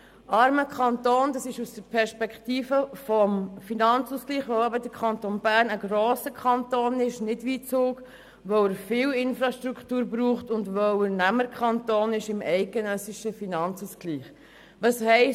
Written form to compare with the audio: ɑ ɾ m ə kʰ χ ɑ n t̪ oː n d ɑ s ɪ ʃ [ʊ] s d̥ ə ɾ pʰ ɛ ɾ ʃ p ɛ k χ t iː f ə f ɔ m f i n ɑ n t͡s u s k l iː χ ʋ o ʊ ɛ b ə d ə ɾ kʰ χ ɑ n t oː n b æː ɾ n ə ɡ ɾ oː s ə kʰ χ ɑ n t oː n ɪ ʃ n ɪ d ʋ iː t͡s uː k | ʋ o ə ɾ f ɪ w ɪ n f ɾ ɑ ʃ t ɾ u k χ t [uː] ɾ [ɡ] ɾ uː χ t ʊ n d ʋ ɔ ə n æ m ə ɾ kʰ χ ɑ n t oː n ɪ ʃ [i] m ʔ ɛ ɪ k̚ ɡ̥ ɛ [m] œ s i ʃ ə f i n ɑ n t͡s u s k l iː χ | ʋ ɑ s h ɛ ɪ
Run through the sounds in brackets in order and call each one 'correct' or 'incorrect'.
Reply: incorrect: u, correct, incorrect: b, incorrect: ɪ, incorrect: n

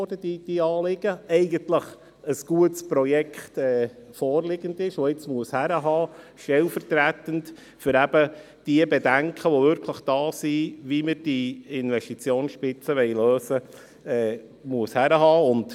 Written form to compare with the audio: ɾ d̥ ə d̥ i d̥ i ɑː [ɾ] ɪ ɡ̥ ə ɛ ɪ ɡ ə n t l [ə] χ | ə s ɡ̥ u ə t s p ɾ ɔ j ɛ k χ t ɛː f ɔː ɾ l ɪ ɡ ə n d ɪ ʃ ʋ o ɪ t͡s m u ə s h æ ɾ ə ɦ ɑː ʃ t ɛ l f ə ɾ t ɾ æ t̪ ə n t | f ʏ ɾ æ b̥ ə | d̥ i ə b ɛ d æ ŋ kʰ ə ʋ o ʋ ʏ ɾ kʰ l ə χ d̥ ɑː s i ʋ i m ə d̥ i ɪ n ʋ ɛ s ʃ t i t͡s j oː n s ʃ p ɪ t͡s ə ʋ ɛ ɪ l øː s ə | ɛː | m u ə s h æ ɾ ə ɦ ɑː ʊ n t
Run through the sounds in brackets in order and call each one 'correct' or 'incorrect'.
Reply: incorrect: l, correct

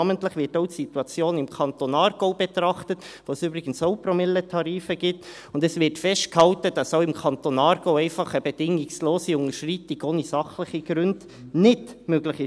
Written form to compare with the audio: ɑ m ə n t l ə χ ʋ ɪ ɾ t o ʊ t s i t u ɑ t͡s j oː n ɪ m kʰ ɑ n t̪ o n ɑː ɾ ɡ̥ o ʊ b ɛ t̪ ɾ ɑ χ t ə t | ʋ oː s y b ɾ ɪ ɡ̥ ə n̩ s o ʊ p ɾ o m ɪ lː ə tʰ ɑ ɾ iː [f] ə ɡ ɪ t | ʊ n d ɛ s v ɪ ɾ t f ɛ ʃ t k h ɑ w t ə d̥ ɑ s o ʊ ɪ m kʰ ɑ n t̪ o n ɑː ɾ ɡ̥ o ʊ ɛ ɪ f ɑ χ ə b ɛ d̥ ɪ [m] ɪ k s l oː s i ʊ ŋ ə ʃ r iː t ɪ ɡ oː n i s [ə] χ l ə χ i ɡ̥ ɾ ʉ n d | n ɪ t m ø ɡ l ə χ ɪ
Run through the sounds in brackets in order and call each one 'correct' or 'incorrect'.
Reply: correct, incorrect: ŋ, incorrect: ɑ

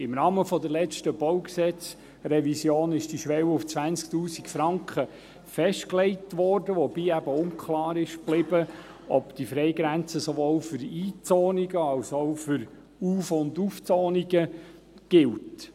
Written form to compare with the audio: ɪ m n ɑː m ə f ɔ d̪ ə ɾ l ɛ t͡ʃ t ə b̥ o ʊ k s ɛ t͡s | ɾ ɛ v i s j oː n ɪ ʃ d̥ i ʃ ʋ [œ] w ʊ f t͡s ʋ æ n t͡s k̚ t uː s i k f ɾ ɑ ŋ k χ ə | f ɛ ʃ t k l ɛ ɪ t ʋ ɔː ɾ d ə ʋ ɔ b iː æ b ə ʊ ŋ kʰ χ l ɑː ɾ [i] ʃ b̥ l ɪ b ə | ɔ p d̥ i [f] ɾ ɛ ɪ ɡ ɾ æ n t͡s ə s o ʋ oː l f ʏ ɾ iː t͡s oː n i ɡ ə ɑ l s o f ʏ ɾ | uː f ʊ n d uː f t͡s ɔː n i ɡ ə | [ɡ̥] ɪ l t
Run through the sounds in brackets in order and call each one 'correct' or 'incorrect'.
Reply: incorrect: ɛ, incorrect: ɪ, correct, correct

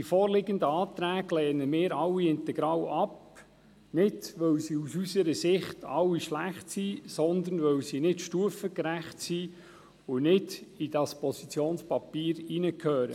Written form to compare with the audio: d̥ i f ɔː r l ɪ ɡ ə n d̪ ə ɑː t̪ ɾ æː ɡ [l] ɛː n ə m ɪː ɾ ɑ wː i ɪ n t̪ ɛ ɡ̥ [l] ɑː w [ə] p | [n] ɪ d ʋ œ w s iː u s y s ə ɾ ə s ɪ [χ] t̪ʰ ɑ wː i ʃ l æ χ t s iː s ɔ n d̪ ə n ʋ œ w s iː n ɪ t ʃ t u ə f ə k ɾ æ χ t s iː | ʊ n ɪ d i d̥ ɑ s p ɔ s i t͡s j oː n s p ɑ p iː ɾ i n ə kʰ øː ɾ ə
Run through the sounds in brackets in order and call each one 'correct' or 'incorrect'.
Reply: correct, incorrect: ɾ, incorrect: ɑ, correct, correct

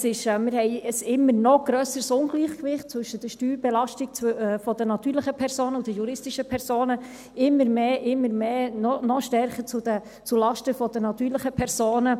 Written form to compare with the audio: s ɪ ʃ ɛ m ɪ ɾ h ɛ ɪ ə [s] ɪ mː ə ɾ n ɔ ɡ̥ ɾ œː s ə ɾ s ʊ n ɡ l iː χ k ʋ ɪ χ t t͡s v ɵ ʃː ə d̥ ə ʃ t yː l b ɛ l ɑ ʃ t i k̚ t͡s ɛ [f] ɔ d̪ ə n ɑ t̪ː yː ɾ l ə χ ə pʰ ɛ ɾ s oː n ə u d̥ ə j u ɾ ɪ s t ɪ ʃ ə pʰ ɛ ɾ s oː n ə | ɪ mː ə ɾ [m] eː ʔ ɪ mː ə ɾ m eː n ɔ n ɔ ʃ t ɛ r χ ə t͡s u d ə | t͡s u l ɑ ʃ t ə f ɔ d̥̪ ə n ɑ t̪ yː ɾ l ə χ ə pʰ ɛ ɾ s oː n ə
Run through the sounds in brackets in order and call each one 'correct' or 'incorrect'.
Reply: correct, correct, correct

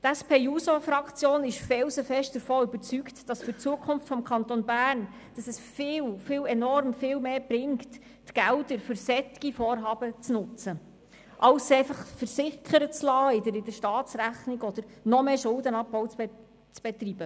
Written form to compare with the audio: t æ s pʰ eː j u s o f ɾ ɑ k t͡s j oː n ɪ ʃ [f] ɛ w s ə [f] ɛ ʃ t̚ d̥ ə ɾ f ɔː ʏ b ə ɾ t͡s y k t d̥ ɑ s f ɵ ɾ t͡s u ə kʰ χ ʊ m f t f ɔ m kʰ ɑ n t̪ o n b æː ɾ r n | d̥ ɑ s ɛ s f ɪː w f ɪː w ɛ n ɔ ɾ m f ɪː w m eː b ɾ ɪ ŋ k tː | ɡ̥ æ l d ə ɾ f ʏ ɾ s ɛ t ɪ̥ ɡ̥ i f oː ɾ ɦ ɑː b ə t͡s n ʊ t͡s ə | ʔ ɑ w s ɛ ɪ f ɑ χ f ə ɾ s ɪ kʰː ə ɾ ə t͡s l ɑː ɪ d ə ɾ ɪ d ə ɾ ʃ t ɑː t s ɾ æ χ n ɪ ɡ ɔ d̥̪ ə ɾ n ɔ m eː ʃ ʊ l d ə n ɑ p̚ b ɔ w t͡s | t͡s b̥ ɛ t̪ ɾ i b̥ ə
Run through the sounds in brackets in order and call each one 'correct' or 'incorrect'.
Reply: correct, correct

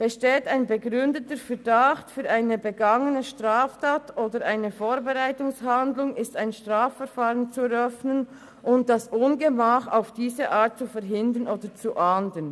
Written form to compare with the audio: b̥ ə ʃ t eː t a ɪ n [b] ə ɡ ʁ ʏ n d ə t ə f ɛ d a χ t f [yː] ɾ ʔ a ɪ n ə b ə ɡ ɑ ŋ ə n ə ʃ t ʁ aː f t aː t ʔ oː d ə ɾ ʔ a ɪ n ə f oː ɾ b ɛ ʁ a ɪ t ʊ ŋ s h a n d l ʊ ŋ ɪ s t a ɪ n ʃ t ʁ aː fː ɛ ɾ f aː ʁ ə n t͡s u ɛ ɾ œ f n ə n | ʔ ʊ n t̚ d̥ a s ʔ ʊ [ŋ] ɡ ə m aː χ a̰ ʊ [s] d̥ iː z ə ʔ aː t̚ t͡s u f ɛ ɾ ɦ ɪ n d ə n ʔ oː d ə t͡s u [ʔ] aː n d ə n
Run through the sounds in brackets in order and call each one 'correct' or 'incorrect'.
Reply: correct, correct, incorrect: n, incorrect: f, correct

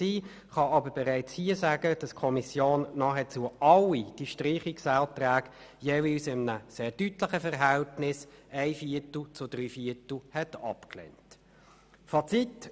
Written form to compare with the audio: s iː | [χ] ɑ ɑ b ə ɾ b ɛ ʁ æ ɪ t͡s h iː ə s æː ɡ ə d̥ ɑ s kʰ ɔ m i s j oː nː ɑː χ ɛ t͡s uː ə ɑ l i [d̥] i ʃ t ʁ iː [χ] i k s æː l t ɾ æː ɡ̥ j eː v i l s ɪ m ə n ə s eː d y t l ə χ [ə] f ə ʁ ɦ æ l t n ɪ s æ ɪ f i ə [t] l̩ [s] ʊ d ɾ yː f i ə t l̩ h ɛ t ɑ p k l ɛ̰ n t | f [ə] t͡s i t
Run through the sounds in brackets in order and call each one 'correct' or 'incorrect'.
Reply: correct, correct, correct, correct, correct, incorrect: t͡s, incorrect: ɑ

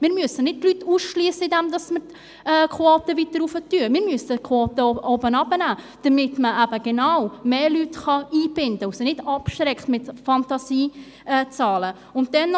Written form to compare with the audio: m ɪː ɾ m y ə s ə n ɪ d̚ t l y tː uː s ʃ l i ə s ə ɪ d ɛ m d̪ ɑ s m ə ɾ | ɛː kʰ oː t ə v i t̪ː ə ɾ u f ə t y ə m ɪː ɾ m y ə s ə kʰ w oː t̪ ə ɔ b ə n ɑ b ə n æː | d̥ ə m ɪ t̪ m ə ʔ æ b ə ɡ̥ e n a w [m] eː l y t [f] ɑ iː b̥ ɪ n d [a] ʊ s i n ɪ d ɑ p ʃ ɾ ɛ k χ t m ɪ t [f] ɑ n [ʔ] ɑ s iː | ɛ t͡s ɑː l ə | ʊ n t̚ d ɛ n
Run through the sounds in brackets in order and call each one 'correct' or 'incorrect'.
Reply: correct, incorrect: χ, incorrect: ə, correct, incorrect: t

